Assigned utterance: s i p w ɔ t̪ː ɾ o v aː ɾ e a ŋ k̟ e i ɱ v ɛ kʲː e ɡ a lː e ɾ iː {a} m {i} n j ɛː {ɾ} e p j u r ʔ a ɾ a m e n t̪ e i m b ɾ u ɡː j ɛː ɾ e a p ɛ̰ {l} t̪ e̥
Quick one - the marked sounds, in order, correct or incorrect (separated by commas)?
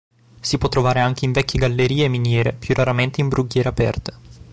incorrect, correct, correct, incorrect